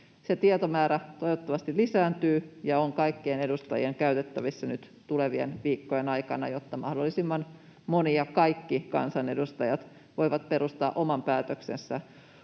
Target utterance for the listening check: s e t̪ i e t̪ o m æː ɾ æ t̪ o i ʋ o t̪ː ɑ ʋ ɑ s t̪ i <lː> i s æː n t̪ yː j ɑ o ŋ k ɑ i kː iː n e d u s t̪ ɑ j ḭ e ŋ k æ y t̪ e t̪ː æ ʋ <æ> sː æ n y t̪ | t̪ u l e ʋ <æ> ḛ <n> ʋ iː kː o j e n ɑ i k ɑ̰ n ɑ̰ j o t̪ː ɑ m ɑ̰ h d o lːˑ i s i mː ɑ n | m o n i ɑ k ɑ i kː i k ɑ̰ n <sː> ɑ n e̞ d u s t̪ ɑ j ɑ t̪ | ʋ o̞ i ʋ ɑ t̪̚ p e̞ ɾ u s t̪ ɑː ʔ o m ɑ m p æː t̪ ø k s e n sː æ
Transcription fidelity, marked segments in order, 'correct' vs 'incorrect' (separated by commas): incorrect, incorrect, incorrect, correct, incorrect